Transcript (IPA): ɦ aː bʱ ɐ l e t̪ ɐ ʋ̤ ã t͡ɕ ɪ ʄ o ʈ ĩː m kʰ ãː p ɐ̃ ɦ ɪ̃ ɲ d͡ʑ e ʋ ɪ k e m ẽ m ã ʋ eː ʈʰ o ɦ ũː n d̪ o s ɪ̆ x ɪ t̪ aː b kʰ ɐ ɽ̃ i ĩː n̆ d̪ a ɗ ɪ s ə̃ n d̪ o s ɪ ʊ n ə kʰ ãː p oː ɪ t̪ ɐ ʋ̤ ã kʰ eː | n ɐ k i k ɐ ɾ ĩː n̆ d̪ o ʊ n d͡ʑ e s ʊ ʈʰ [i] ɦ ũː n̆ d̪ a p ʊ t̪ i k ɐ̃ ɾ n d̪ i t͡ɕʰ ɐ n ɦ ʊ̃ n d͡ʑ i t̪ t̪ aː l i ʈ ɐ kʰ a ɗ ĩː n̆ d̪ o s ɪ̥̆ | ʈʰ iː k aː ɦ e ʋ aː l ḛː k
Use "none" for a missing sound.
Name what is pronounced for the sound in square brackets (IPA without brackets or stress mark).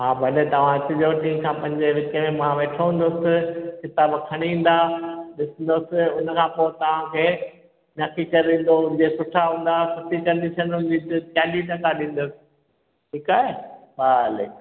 a